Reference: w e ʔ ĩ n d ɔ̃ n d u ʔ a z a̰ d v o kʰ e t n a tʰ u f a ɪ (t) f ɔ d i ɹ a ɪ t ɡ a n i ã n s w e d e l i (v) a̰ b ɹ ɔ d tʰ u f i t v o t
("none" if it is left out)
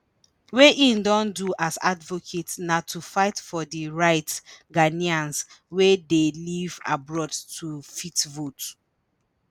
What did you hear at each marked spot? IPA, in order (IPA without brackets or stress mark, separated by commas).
t, v